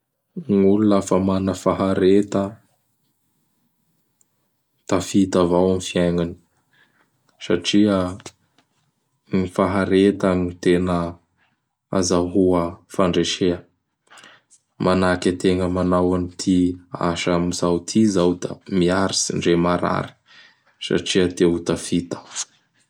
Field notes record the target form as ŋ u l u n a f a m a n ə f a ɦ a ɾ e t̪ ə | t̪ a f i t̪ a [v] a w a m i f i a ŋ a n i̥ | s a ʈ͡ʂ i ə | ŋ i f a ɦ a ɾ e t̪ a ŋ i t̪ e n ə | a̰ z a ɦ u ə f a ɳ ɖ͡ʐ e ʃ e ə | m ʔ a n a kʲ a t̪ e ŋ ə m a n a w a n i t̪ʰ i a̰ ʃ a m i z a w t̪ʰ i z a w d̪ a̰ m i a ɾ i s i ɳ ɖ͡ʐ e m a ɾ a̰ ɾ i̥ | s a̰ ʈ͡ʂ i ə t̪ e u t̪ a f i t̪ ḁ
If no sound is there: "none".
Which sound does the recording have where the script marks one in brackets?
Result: v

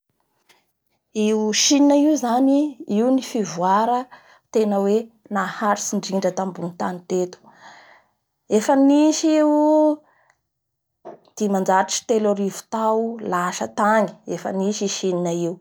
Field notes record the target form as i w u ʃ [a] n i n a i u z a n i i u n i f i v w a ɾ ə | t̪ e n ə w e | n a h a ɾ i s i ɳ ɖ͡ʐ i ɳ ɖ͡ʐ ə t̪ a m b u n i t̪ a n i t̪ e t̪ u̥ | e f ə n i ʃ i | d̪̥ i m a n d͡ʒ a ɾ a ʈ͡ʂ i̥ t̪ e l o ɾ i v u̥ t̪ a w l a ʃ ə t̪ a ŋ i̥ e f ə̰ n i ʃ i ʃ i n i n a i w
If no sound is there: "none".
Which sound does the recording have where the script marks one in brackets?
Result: i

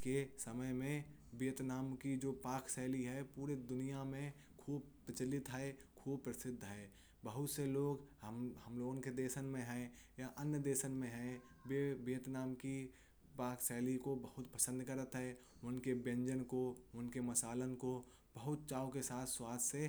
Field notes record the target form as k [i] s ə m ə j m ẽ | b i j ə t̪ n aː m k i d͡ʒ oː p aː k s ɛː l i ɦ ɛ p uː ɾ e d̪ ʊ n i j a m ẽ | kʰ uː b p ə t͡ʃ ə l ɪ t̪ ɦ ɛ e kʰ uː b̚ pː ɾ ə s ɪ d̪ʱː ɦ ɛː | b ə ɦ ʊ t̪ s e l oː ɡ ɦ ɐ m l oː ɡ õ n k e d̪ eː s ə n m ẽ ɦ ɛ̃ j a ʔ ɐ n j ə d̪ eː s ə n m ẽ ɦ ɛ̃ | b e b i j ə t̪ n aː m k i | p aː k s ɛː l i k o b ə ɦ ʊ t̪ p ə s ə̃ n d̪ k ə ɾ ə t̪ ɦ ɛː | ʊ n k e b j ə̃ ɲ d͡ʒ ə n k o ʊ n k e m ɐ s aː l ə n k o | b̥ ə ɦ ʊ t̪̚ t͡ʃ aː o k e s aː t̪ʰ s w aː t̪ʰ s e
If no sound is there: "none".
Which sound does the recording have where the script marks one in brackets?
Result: e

